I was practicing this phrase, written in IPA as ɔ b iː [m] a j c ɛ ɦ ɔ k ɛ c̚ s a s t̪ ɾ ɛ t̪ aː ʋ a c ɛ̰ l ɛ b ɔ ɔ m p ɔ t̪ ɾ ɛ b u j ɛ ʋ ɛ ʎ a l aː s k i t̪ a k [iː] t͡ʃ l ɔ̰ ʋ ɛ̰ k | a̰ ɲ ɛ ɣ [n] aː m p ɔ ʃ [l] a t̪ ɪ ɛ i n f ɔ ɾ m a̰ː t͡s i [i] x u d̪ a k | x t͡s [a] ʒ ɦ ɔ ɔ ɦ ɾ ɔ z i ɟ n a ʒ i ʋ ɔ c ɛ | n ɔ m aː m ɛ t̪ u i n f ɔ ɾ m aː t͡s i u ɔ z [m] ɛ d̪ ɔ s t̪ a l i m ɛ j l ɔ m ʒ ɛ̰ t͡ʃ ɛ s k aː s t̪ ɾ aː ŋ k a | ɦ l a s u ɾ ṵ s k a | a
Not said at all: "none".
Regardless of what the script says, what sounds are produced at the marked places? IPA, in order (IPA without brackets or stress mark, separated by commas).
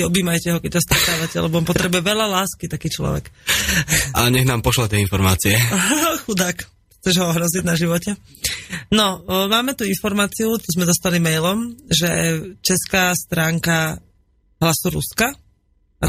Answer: m, iː, n, l, ɛ, ɛ, m